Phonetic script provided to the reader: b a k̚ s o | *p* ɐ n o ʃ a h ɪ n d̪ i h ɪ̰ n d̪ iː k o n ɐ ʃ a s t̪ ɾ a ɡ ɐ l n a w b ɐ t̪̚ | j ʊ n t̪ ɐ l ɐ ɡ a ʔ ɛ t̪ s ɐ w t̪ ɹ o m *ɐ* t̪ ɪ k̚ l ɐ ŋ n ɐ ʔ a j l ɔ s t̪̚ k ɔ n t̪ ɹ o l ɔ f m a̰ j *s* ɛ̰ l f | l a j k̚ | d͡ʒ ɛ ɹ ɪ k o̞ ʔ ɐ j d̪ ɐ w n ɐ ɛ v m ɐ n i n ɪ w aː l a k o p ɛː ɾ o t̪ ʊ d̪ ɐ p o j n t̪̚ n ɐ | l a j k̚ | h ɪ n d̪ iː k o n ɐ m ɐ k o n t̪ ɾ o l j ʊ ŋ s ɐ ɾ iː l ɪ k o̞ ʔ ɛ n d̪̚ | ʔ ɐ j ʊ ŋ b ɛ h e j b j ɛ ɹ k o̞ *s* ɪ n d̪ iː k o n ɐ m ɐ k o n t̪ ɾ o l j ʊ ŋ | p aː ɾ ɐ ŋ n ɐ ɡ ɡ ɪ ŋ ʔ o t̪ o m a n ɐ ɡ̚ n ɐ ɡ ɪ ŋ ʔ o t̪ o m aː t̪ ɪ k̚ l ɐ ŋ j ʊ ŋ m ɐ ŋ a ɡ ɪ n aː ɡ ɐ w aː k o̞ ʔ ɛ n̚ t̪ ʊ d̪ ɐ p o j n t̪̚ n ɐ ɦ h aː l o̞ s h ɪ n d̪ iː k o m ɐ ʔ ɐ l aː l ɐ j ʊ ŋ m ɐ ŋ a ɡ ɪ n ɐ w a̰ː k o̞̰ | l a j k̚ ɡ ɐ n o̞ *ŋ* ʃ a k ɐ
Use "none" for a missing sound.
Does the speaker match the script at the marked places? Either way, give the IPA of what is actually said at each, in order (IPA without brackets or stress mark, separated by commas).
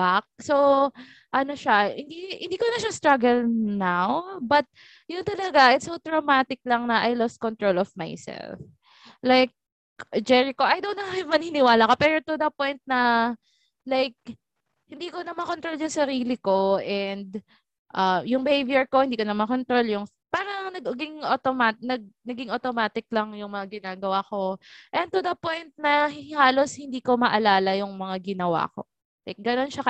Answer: ʔ, a, s, h, n